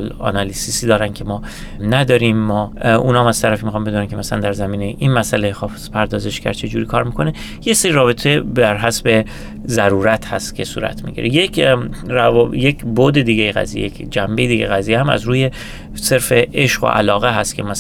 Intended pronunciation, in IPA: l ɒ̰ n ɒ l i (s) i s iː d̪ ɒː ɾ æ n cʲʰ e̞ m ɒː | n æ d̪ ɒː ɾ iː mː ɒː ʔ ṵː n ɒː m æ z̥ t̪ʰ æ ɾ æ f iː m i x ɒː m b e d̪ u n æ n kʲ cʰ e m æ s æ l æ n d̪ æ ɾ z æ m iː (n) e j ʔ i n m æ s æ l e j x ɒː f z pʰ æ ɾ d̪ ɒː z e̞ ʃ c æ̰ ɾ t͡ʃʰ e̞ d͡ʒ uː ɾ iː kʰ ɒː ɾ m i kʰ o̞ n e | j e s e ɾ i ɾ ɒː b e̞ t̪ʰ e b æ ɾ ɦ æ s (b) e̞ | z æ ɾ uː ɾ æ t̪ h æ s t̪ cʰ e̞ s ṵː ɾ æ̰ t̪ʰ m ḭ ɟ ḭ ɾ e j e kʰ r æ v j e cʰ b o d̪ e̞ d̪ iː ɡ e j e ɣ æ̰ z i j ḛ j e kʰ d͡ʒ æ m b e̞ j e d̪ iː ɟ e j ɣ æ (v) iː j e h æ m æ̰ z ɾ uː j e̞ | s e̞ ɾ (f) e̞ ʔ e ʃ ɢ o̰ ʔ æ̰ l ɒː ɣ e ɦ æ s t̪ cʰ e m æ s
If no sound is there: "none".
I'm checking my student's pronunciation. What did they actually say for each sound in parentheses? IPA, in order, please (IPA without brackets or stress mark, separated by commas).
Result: s, n, b, z, f